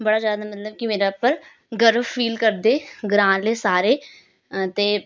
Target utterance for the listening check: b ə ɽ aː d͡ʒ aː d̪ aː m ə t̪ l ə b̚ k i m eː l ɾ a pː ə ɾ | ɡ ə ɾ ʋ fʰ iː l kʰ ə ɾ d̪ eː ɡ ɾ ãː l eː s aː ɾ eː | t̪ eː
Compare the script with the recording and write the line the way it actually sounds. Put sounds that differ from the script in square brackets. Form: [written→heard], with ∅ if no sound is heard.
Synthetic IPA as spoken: b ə ɽ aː d͡ʒ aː d̪ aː m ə t̪ l ə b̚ k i m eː [l→∅] ɾ a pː ə ɾ | ɡ ə ɾ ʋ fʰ iː l [kʰ→k] ə ɾ d̪ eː ɡ ɾ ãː l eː s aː ɾ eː | t̪ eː

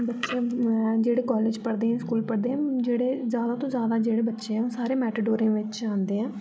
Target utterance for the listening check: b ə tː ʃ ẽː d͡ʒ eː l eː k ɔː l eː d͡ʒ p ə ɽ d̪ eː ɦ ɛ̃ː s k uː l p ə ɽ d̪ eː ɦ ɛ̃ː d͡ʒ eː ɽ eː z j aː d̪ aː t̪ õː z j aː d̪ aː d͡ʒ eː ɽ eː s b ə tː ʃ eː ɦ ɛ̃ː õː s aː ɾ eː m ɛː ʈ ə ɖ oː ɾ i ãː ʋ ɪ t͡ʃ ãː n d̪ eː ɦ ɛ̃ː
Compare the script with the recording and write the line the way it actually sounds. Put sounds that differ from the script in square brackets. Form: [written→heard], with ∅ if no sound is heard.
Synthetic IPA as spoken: b ə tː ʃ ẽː d͡ʒ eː [l→ɽ] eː k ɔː l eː d͡ʒ p ə ɽ d̪ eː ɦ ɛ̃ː s k uː l p ə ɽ d̪ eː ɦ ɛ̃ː d͡ʒ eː ɽ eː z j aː d̪ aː t̪ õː z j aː d̪ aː d͡ʒ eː ɽ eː [s→∅] b ə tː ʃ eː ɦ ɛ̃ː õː s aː ɾ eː m ɛː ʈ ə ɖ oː ɾ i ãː ʋ ɪ t͡ʃ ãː n d̪ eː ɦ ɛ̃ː

